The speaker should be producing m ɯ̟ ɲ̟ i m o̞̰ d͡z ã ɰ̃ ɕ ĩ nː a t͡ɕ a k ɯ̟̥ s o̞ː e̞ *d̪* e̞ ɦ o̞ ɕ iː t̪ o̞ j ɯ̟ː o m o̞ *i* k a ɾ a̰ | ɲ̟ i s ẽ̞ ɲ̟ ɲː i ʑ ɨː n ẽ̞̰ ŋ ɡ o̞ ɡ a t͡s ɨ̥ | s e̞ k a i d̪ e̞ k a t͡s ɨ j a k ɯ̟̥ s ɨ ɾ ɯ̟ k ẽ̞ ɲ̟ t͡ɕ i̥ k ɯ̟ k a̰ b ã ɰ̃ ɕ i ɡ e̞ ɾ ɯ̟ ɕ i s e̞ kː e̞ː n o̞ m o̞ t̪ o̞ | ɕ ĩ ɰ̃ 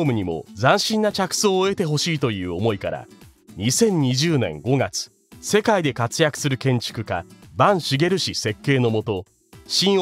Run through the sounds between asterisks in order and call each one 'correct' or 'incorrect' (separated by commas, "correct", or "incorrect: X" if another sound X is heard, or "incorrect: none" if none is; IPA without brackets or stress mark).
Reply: incorrect: t̪, correct